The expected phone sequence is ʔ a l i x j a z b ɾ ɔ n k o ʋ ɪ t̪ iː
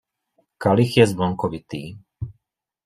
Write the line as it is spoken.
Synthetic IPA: k a l i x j ɛ z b l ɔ ŋ k ɔ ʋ i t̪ iː